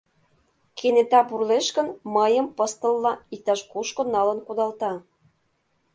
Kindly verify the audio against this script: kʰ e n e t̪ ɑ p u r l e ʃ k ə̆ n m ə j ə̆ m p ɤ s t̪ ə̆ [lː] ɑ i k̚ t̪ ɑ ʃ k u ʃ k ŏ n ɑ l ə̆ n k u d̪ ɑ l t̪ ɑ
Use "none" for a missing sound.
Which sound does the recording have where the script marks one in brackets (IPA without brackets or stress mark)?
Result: lː